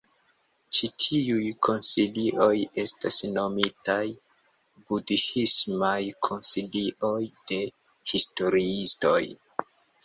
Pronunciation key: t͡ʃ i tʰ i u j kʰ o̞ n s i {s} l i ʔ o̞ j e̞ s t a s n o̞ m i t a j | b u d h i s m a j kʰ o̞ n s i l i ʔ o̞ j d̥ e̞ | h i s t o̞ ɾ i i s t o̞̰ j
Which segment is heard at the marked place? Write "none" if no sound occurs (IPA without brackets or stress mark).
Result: none